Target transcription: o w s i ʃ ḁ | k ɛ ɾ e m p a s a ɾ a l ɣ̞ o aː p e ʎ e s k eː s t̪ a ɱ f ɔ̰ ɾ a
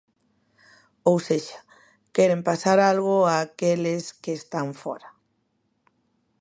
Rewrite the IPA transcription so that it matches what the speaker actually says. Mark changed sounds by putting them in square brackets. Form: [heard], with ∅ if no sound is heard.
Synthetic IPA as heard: o w s [e] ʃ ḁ | k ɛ ɾ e m p a s a ɾ a l ɣ̞ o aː [k] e [l] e s k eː s t̪ a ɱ f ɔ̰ ɾ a